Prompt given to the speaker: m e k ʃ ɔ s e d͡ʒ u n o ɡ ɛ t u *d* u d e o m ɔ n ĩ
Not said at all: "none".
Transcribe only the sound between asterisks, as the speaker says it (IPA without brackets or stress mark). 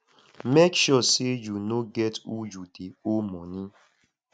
d͡ʒ